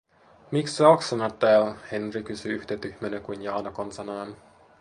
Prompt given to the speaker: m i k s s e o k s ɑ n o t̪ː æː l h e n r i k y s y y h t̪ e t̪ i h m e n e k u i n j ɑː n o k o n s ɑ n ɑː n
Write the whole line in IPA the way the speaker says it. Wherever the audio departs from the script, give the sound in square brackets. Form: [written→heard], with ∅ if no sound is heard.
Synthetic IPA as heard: m i k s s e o k s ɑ n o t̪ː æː l h e n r i k y s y y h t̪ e t̪ [i→y] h m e n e k u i n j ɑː n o k o n s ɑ n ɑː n